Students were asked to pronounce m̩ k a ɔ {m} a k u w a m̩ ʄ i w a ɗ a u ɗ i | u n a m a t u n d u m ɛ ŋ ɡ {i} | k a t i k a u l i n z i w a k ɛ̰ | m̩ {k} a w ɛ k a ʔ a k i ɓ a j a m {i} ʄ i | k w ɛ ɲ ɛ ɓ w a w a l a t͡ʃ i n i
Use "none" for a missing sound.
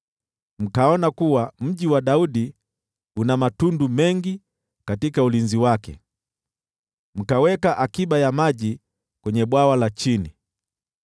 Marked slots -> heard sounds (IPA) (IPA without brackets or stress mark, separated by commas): n, i, k, a